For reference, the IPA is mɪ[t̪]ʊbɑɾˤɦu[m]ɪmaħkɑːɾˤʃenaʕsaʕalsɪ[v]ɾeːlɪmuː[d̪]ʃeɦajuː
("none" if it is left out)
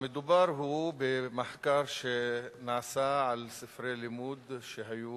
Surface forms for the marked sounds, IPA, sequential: d̪, b, f, d̪

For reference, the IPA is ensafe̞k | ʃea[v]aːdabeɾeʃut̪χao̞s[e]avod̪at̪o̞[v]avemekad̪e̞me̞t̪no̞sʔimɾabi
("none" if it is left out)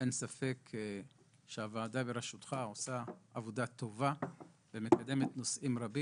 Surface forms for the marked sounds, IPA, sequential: v, a, v

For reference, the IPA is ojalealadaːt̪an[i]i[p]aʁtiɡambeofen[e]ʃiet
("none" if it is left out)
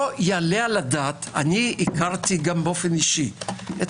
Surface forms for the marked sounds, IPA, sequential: i, k, i

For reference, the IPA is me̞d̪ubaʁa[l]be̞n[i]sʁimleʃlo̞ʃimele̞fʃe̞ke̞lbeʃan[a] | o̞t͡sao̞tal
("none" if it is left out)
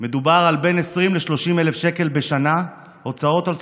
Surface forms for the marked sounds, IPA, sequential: l, e, a

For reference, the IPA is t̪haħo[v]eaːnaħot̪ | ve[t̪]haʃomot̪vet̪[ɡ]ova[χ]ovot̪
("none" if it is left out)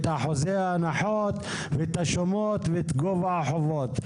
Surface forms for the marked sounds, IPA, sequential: z, t̪, ɡ, ħ

